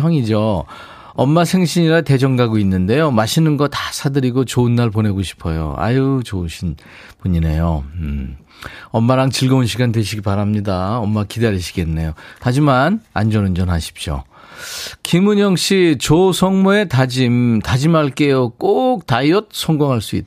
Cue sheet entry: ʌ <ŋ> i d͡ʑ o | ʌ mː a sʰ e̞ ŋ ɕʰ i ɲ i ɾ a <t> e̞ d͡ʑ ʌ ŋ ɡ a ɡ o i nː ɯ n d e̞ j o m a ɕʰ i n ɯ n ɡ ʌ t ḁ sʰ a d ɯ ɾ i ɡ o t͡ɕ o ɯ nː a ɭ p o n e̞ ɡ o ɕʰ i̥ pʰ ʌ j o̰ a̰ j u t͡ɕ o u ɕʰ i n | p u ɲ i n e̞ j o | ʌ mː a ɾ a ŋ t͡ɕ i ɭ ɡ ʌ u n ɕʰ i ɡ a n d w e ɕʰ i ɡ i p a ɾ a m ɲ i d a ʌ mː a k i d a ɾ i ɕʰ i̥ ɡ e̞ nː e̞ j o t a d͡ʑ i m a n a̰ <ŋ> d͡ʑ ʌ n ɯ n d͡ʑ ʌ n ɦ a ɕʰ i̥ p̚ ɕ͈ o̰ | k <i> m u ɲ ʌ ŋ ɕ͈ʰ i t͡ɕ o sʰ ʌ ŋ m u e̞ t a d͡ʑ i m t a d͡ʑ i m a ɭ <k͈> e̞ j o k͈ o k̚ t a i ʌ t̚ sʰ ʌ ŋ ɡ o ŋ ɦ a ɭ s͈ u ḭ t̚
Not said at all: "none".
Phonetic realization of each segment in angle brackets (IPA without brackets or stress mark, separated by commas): ŋ, t, n, i, k͈